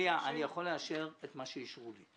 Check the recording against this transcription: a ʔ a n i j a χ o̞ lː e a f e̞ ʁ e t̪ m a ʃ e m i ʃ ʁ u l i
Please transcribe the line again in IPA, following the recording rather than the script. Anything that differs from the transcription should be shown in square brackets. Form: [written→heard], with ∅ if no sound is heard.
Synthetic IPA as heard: a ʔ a n i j a χ o̞ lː e a [f→ʃ] e̞ ʁ e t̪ m a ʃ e [m→∅] i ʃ ʁ u l i